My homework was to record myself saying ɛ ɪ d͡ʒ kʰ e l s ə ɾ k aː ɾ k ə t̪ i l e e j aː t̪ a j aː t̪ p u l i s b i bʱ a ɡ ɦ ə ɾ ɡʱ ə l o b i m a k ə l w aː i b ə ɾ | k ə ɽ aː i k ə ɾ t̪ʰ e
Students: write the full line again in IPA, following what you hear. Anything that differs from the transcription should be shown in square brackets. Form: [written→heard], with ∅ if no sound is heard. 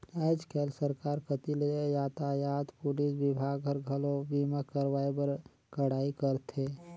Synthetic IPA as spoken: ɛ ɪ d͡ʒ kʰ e l s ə ɾ k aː ɾ k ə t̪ i l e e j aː t̪ a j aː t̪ p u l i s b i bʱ a ɡ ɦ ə ɾ ɡʱ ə l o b i m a k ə [l→ɾ] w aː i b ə ɾ | k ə ɽ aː i k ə ɾ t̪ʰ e